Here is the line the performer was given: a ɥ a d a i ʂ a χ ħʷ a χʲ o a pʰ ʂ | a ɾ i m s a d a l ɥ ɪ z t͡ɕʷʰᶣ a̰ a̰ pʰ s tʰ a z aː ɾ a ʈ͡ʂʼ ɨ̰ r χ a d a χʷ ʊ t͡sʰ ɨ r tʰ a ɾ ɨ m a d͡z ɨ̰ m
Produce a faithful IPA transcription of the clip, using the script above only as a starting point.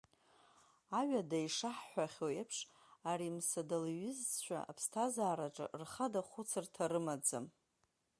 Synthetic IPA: a ɥ a d a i ʂ a ħ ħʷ a χʲ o e pʰ ʂ | a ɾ i m s a d a l ɥ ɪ z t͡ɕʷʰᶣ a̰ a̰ pʰ s tʰ a z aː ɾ a ʈ͡ʂʼ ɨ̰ r χ a d a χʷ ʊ t͡sʰ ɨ r tʰ a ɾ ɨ m a d͡z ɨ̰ m